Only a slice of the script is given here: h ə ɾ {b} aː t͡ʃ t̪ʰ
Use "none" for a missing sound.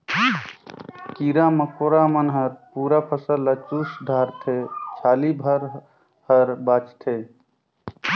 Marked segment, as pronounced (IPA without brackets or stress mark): b